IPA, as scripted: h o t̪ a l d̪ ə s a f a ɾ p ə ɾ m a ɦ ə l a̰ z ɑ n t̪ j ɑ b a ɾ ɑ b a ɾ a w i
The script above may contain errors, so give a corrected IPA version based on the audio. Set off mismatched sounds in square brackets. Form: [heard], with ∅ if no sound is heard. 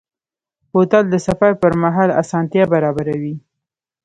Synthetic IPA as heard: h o t̪ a l d̪ ə s a f a ɾ p ə ɾ m a ɦ [ɑ] l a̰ [s] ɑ n t̪ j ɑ b a ɾ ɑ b a ɾ a w i